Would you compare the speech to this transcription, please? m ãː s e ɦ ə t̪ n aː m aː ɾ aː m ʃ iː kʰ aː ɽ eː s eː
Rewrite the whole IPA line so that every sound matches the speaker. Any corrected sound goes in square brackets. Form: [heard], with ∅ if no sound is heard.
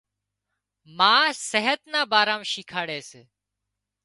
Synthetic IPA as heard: m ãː s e ɦ ə t̪ n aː [b] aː ɾ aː m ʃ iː kʰ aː ɽ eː s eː